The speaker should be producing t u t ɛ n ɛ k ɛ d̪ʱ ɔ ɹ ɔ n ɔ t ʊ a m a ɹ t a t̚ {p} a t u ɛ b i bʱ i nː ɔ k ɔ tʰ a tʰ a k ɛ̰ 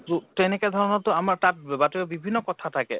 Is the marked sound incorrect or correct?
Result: incorrect